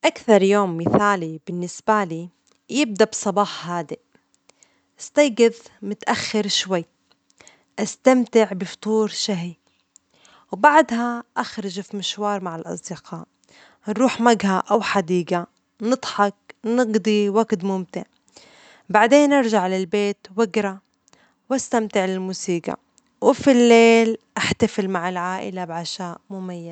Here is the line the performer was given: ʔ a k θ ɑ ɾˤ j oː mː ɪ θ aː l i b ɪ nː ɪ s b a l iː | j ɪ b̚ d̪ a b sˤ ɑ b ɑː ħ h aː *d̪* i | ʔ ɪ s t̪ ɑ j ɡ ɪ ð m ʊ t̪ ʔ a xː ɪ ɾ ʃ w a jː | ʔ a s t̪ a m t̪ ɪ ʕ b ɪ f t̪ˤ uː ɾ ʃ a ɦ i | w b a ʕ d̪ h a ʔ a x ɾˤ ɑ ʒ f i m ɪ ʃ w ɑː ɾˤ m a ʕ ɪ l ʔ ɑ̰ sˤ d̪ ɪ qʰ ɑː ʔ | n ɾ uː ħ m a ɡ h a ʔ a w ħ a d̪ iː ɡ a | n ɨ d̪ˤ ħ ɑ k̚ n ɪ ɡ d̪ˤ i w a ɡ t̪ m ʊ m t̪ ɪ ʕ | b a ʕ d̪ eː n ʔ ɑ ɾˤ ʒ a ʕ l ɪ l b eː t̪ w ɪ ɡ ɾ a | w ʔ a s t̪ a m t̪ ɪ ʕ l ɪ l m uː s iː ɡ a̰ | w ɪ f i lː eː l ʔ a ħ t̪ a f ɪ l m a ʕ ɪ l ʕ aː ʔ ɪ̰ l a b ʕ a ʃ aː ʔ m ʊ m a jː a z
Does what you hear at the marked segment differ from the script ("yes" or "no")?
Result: no